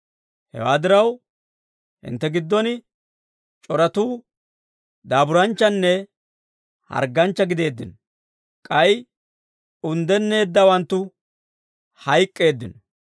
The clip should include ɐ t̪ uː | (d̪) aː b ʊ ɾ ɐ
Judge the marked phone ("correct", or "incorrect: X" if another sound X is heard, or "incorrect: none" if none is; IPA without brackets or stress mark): correct